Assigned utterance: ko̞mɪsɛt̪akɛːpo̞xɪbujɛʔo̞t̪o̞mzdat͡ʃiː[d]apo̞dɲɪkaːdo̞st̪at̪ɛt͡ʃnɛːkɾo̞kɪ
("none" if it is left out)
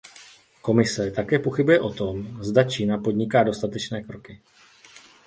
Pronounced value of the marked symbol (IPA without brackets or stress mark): n